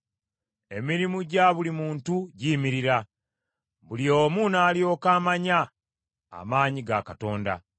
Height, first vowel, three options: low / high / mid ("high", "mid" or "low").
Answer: mid